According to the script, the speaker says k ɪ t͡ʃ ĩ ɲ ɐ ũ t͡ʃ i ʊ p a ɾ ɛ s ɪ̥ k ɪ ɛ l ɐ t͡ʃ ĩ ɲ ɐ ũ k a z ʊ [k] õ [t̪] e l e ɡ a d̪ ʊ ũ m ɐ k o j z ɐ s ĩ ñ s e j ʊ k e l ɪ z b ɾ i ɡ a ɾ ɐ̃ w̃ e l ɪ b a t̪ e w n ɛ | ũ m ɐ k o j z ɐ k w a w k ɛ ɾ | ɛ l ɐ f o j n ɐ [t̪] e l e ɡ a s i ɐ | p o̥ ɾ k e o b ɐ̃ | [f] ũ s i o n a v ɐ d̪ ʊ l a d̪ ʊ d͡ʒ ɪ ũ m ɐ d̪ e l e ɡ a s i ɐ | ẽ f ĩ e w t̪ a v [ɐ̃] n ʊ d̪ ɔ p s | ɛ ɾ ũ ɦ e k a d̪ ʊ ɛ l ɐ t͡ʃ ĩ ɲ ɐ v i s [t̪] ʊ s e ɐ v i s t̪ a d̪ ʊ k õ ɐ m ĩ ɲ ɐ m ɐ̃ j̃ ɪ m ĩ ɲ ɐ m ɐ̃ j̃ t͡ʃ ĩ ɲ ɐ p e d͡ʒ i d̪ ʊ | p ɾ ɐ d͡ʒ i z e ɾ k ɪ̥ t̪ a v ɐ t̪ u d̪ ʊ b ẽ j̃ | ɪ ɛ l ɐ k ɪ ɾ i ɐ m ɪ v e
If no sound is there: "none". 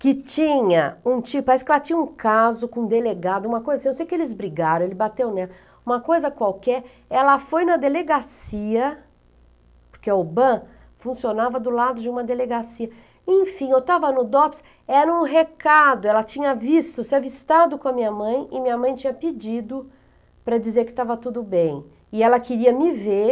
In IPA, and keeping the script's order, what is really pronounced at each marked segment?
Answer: k, d̪, d̪, f, ɐ, t̪

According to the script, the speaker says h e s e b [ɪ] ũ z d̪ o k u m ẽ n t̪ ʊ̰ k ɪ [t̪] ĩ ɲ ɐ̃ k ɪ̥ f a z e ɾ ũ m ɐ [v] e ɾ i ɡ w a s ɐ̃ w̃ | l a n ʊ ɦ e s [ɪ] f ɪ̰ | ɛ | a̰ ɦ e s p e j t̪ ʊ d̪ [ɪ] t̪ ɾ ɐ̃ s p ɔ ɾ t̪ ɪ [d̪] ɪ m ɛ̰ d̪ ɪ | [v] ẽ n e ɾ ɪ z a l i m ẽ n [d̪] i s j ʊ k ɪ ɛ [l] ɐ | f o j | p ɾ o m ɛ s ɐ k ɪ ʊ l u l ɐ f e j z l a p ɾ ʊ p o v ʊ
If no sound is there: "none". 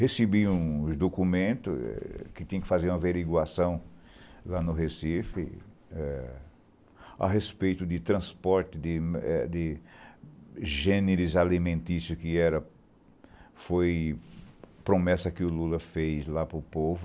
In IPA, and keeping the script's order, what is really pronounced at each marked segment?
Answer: i, t̪, v, i, ɪ, d̪, ʒ, t̪, ɾ

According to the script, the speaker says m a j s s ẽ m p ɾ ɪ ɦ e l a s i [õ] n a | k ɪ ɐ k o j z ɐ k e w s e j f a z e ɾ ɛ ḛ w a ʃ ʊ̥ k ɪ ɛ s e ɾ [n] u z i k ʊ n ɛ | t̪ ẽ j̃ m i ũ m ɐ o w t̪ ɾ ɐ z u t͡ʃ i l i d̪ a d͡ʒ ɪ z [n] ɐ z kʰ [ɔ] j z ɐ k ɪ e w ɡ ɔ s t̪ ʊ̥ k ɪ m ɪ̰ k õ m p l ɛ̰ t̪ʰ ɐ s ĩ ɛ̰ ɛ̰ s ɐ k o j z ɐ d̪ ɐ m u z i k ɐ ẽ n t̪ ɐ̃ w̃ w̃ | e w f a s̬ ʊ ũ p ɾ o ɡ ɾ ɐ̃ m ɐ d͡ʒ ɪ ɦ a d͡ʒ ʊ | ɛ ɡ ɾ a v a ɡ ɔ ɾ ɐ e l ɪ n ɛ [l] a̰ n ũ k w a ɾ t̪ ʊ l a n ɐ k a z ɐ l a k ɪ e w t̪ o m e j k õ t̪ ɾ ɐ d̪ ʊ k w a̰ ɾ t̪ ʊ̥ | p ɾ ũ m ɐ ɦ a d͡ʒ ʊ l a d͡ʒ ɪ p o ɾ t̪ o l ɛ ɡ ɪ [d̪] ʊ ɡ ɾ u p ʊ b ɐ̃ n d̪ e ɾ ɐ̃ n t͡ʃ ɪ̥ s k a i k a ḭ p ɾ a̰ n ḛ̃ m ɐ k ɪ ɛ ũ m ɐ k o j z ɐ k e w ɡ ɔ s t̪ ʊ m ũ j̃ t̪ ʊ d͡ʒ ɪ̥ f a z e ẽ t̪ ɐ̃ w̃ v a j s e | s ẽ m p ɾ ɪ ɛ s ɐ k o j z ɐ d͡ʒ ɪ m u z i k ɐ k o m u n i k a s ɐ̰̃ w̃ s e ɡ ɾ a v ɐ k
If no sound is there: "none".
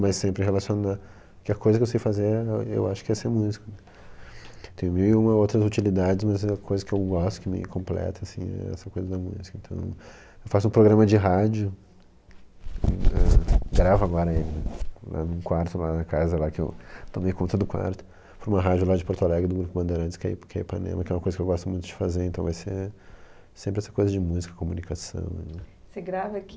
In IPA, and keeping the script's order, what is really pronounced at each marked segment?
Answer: o, m, m, o, l, d̪

